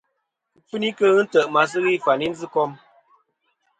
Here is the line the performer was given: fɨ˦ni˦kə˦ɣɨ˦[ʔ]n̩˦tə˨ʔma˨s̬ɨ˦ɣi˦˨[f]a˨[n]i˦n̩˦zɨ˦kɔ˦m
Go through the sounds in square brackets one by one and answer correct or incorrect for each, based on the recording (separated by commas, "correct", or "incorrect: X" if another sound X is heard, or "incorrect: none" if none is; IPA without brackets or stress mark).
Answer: incorrect: none, correct, correct